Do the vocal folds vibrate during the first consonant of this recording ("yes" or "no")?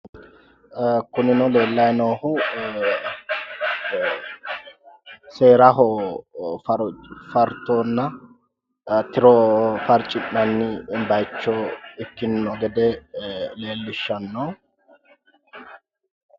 no